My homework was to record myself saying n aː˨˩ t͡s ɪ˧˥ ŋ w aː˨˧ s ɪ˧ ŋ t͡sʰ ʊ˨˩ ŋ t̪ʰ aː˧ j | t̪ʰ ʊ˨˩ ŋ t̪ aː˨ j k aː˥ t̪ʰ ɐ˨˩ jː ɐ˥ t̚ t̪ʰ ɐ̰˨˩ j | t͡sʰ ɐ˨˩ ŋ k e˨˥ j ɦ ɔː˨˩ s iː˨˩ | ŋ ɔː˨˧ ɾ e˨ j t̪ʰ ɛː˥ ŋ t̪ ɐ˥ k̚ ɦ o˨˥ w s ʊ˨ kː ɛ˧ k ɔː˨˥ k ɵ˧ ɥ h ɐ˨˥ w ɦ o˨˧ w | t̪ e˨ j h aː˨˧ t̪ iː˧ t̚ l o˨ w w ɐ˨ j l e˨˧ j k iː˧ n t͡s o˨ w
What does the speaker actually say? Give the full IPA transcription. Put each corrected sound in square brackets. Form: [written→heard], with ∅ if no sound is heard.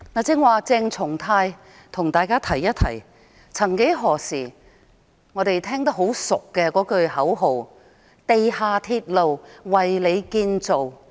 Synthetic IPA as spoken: n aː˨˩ t͡s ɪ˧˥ ŋ w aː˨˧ [s→t͡s] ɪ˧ ŋ t͡sʰ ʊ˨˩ ŋ t̪ʰ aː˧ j | t̪ʰ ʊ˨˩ ŋ t̪ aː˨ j k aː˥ t̪ʰ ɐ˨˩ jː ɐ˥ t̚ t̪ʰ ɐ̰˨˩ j | t͡sʰ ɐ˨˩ ŋ k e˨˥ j ɦ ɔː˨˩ s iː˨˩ | ŋ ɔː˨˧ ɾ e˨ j t̪ʰ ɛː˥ ŋ t̪ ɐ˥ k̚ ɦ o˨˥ w s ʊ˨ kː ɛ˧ k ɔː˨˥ k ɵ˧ ɥ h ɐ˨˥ w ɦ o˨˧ w | t̪ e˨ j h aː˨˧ [t̪→t̪ʰ] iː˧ t̚ l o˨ w w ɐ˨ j l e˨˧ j k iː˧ n t͡s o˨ w